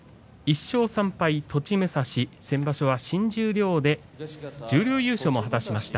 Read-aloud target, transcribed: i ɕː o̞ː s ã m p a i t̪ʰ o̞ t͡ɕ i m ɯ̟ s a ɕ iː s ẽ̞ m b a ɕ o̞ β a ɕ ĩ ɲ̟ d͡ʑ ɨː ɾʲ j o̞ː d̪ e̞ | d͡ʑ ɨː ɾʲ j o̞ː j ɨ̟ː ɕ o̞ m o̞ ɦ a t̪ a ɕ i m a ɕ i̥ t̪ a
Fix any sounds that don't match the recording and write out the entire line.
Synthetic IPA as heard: i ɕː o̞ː s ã m p a i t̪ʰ o̞ t͡ɕ i m ɯ̟ s a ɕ i s ẽ̞ m b a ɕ o̞ β a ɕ ĩ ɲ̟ d͡ʑ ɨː ɾʲ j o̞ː d̪ e̞ | d͡ʑ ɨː ɾʲ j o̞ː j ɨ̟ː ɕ o̞ m o̞ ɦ a t̪ a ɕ i m a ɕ i̥ t̪ a